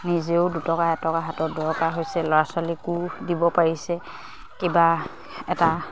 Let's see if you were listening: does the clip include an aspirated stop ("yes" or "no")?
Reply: no